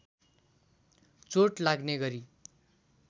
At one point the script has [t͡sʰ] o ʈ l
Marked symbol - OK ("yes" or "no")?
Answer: no